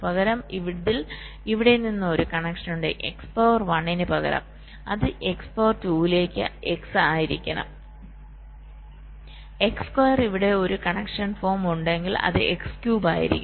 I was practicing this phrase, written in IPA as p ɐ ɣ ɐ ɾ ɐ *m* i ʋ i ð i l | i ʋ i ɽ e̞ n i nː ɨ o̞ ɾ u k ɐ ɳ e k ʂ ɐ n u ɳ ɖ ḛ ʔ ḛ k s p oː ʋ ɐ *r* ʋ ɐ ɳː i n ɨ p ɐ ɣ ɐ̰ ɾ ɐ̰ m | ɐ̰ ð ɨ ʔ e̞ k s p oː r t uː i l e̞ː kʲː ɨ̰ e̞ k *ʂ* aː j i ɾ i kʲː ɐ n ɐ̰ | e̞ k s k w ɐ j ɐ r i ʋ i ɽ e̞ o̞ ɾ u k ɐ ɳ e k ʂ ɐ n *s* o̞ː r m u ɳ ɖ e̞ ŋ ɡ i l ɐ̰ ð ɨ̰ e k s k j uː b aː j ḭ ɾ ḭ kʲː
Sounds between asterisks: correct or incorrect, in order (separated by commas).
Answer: correct, correct, incorrect, incorrect